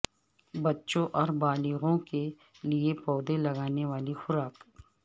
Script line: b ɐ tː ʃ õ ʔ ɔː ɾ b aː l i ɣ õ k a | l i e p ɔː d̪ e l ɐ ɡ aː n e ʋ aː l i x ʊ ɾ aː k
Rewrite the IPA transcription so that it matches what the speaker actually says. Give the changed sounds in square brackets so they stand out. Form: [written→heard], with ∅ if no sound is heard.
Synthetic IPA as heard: b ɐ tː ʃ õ ʔ ɔː ɾ b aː l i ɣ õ k [a→e] | l i e p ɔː d̪ e l ɐ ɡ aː n e ʋ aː l i x ʊ ɾ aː k